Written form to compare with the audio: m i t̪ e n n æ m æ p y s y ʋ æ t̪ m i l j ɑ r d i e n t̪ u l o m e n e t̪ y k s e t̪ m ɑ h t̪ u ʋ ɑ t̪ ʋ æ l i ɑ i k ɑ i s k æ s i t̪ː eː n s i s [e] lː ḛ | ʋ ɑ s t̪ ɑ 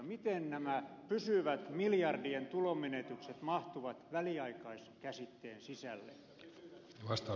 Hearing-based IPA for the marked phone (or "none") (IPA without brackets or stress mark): æ